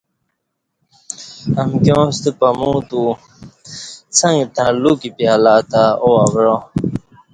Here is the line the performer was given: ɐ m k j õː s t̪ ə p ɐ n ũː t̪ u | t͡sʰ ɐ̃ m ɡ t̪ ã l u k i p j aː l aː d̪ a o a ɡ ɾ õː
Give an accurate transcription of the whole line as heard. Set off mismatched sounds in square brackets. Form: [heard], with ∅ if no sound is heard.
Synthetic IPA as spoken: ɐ m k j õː s t̪ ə p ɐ [m] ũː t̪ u | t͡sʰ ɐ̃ [ŋ] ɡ t̪ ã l u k i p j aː l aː [t̪] a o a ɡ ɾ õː